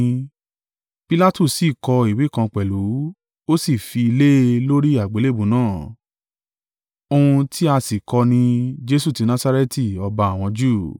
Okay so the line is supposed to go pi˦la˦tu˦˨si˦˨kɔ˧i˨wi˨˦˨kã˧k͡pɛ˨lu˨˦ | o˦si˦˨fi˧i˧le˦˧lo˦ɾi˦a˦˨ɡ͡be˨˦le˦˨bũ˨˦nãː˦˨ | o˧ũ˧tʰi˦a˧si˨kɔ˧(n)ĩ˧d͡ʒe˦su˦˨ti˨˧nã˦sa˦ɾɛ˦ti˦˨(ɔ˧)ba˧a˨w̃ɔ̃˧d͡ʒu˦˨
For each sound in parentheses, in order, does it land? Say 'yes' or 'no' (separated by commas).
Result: yes, yes